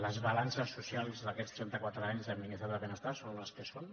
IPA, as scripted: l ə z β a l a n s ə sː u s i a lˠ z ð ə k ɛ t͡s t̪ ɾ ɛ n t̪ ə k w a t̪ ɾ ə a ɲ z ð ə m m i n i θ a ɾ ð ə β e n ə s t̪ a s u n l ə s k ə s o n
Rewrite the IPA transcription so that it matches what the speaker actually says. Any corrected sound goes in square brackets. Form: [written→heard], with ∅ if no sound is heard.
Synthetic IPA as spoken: l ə z β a l a n s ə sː u s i a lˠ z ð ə k ɛ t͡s t̪ ɾ ɛ n t̪ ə k w a t̪ ɾ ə a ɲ z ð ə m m i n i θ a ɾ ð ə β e n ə s t̪ a s [u→o] n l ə s k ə s o n